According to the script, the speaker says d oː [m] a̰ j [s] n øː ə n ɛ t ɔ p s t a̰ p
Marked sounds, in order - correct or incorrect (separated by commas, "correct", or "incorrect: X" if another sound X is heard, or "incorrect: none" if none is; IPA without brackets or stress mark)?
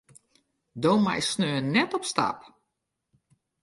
correct, correct